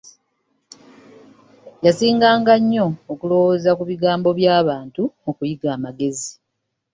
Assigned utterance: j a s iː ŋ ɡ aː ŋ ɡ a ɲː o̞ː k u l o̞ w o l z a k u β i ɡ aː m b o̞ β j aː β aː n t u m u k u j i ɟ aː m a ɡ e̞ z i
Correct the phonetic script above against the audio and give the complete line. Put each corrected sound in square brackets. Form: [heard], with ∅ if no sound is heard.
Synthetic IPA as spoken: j a s iː ŋ ɡ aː ŋ ɡ a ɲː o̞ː k u l o̞ w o [∅] z a k u β i ɡ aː m b o̞ β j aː β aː n t u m u k u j i [ɡ] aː m a ɡ e̞ z i